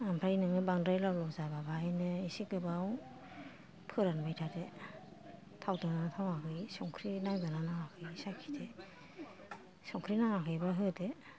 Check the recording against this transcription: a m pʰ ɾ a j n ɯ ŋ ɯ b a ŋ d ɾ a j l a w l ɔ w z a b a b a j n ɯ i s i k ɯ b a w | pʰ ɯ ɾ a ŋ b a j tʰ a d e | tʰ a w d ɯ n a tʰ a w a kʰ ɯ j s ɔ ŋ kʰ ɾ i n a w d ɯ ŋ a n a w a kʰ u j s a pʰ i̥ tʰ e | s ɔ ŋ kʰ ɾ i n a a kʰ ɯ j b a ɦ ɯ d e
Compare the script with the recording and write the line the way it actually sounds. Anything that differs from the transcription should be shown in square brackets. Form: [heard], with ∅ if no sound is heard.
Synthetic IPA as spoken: a m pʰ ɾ a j n ɯ ŋ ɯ b a ŋ d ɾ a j l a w l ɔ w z a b a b a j n ɯ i s i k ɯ b a w | pʰ ɯ ɾ a [n] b a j tʰ a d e | tʰ a w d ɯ n a tʰ a w a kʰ ɯ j s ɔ ŋ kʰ ɾ i n a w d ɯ [n] a n a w a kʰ [ɯ] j s a [kʰ] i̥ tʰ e | s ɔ ŋ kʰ ɾ i n a a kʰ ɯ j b a ɦ ɯ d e